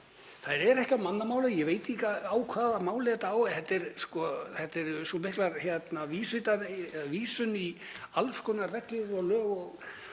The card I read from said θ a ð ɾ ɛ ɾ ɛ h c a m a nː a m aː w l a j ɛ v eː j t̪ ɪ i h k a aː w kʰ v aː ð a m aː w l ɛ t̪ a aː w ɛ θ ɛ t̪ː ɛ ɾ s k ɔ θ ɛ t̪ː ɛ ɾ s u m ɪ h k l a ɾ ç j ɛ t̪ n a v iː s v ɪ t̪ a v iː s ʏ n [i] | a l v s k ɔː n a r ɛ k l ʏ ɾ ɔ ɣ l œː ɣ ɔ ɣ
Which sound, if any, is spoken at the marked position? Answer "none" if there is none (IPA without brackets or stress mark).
i